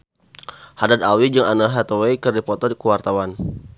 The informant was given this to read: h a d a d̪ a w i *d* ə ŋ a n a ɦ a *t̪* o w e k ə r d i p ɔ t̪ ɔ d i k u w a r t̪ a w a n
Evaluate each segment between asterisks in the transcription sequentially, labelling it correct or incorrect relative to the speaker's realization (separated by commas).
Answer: incorrect, correct